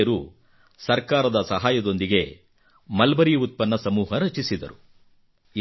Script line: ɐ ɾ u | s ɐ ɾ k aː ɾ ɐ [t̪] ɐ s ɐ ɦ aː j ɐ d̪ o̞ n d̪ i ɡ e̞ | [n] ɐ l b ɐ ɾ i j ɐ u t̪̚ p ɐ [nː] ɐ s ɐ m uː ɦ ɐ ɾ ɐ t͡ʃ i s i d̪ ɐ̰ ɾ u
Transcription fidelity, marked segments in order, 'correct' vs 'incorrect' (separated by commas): incorrect, incorrect, correct